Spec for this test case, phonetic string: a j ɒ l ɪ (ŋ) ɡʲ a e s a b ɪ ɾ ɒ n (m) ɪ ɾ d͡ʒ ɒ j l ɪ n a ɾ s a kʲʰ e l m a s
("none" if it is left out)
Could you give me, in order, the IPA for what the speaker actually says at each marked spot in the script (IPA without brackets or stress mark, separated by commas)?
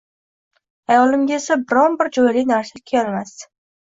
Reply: m, b